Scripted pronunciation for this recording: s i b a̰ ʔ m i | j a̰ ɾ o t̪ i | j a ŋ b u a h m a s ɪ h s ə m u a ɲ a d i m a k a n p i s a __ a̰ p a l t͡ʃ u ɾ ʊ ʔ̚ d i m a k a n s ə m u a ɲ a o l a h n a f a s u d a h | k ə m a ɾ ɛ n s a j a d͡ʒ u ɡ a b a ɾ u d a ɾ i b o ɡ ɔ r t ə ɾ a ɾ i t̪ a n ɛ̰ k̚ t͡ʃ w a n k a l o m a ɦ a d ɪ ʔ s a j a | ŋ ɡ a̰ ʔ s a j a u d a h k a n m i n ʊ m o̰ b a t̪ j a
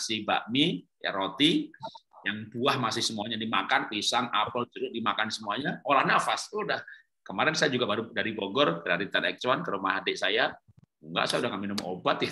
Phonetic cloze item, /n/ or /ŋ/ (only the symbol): ŋ